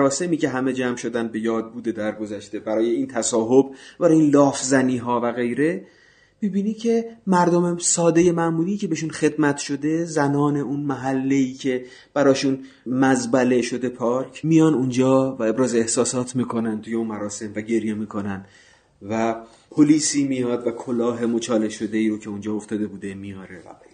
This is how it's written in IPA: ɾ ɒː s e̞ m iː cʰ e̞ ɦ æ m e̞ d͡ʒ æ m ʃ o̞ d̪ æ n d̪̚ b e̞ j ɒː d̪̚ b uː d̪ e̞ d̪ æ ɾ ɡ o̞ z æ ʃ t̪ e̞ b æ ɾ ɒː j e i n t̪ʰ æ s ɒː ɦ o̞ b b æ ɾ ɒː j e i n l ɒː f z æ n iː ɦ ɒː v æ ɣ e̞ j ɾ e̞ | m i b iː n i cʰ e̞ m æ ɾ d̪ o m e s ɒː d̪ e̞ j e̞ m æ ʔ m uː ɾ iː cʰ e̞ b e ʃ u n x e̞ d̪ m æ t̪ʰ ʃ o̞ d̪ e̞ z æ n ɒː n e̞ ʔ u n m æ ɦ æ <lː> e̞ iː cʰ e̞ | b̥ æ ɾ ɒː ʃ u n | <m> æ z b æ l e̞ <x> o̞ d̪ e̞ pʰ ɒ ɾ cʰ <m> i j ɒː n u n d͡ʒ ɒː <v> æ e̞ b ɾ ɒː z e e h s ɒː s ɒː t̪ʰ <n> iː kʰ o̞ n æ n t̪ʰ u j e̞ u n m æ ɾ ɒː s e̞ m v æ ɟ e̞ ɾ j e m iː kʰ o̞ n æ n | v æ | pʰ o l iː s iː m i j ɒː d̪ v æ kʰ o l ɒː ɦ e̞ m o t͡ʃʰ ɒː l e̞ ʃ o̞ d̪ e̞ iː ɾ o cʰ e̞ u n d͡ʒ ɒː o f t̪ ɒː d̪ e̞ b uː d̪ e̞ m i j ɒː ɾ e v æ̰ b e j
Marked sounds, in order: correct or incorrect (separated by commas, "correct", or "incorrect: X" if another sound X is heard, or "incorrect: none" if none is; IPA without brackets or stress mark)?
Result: correct, correct, incorrect: ʃ, correct, correct, incorrect: m